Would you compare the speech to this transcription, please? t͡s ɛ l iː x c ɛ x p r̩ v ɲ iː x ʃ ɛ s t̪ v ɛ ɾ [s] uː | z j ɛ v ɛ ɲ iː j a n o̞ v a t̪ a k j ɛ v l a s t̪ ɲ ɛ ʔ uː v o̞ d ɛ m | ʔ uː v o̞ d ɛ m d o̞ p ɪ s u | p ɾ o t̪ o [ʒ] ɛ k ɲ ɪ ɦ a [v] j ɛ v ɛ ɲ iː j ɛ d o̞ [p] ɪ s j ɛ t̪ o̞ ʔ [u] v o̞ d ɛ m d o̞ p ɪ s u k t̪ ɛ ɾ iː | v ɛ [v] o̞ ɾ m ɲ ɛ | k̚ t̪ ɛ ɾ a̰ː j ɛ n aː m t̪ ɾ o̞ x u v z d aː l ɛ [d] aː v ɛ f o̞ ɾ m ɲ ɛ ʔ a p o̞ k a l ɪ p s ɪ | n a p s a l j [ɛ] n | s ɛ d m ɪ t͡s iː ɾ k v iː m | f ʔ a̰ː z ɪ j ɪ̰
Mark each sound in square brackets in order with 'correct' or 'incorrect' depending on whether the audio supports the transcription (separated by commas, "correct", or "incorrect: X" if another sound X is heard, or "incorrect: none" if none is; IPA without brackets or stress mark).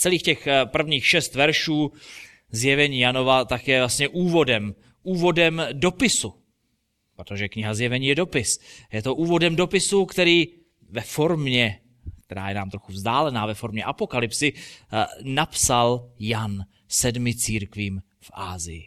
incorrect: ʃ, correct, incorrect: z, correct, incorrect: uː, incorrect: f, incorrect: n, incorrect: a